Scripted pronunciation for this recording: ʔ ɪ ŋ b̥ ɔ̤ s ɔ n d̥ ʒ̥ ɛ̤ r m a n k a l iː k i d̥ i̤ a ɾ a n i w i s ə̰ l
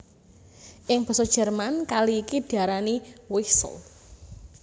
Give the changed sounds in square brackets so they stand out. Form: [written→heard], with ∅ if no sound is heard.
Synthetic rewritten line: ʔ ɪ ŋ b̥ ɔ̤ s ɔ [n→∅] d̥ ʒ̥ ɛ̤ r m a n k a l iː k i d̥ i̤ a ɾ a n i w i s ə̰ l